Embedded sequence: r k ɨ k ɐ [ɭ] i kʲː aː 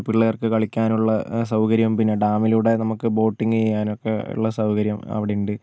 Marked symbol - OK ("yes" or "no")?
yes